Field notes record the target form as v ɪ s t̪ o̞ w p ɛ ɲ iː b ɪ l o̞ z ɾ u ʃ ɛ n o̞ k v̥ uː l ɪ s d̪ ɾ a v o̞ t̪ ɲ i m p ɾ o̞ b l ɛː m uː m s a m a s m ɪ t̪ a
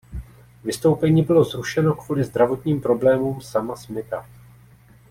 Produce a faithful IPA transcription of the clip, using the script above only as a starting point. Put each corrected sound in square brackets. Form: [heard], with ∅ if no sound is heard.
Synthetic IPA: v ɪ s t̪ o̞ w p ɛ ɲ iː b ɪ l o̞ z ɾ u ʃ ɛ n o̞ k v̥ uː l ɪ [z] d̪ ɾ a v o̞ t̪ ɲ [iː] m p ɾ o̞ b l ɛː m uː m s a m a s m ɪ t̪ a